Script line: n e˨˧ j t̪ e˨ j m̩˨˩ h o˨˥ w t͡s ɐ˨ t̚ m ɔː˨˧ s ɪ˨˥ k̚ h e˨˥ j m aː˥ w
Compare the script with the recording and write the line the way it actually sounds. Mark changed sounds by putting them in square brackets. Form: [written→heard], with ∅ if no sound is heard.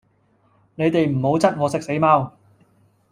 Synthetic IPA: n e˨˧ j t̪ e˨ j m̩˨˩ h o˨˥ w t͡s [ɐ˨→ɐ˥] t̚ [m→ŋ] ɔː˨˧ s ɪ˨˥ k̚ [h→s] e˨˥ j m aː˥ w

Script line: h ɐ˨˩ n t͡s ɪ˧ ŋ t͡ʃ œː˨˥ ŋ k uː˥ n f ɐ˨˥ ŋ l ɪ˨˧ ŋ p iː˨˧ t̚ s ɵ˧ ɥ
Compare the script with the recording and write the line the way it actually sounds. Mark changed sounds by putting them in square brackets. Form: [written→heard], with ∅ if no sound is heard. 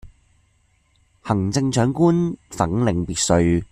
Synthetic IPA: h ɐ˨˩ [n→ŋ] t͡s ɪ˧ ŋ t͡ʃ œː˨˥ ŋ k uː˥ n f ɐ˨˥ ŋ l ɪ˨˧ ŋ p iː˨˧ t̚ s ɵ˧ ɥ

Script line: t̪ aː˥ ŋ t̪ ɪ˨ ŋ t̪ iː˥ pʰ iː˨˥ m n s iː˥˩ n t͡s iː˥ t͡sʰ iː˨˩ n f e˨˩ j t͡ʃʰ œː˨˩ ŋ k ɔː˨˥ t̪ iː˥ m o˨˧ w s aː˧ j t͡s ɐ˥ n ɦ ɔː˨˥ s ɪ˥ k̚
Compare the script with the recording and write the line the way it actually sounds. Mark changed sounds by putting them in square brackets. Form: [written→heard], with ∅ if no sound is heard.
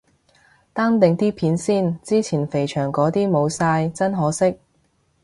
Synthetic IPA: t̪ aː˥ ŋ t̪ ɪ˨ ŋ t̪ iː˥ pʰ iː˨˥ [m→∅] n s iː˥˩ n t͡s iː˥ t͡sʰ iː˨˩ n f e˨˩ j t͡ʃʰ œː˨˩ ŋ k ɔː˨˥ t̪ iː˥ m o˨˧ w s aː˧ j t͡s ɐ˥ n ɦ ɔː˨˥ s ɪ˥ k̚

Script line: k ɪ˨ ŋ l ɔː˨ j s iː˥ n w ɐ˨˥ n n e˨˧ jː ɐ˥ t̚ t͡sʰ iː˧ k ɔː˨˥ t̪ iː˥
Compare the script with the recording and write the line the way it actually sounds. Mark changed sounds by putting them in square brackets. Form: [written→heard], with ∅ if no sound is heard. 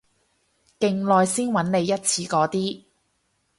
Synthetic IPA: k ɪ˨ ŋ l ɔː˨ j s iː˥ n w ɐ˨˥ n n e˨˧ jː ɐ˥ t̚ t͡sʰ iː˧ k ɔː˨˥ t̪ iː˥

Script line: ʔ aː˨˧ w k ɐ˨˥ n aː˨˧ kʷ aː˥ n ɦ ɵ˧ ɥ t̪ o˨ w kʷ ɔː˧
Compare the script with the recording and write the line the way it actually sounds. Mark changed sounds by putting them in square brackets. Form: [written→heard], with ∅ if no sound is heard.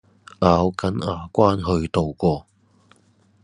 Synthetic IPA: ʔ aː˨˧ w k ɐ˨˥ n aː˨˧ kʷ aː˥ n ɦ ɵ˧ ɥ t̪ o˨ w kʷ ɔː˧

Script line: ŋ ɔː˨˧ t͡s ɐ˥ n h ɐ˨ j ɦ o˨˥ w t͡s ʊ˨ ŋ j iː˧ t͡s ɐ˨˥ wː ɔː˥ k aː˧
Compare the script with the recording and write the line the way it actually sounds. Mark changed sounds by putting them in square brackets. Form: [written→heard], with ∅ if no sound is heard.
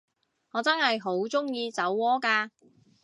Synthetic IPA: ŋ ɔː˨˧ t͡s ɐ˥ n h ɐ˨ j ɦ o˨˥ w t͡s [ʊ˨→ʊ˥] ŋ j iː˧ t͡s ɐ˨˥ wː ɔː˥ k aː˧

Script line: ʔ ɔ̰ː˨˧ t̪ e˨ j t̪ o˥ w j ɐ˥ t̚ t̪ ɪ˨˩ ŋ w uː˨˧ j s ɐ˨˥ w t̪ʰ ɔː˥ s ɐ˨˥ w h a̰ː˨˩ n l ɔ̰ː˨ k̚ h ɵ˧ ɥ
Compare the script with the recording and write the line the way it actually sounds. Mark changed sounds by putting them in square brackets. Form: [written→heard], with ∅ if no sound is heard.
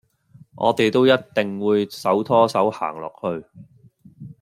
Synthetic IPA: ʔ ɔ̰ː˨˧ t̪ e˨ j t̪ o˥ w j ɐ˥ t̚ t̪ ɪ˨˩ ŋ w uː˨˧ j s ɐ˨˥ w t̪ʰ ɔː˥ s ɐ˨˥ w h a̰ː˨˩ [n→ŋ] l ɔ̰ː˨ k̚ h ɵ˧ ɥ

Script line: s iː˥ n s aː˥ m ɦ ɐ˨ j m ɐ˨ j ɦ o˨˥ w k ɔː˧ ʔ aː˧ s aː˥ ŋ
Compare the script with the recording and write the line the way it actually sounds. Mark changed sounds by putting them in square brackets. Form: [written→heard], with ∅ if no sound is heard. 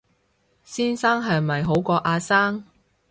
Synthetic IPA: s iː˥ n s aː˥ [m→ŋ] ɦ ɐ˨ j m ɐ˨ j ɦ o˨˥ w k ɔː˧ ʔ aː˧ s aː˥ ŋ

